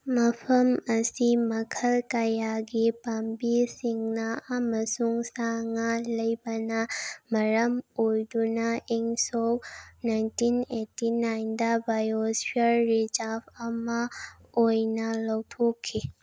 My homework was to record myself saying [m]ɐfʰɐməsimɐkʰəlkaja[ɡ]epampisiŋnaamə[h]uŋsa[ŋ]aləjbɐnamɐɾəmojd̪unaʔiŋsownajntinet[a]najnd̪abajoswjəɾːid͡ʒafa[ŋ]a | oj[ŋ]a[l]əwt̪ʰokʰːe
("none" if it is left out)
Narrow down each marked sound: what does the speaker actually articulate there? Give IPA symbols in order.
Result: m, ɡ, s, ŋ, i, m, n, l

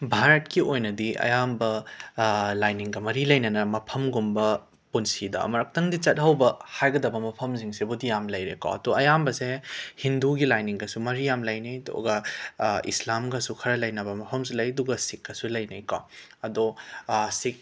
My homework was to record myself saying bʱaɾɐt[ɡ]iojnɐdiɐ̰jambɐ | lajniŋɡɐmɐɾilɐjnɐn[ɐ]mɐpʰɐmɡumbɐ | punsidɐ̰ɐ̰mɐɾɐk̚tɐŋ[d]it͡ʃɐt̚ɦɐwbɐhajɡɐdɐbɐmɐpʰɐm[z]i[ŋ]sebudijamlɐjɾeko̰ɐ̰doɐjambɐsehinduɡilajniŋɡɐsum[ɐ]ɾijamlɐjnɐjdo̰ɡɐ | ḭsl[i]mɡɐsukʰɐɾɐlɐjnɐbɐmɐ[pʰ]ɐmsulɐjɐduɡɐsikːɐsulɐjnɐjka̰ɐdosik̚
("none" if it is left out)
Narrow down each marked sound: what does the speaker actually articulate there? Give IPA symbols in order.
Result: k, ɐ, d, z, ŋ, ɐ, a, pʰ

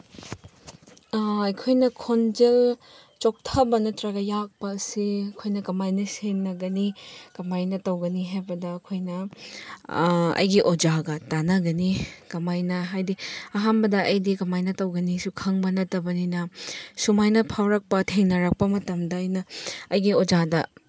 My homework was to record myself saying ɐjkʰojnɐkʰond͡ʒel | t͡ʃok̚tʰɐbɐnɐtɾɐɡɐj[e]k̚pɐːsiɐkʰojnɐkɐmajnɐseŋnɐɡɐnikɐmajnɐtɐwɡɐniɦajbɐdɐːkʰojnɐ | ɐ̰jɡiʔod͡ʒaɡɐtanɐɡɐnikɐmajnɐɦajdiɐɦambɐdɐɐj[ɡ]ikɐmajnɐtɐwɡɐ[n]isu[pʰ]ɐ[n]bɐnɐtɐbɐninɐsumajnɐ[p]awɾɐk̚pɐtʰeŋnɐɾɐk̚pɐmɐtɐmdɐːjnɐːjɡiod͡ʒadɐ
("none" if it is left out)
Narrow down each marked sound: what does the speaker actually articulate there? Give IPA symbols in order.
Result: a, d, n, kʰ, ŋ, pʰ

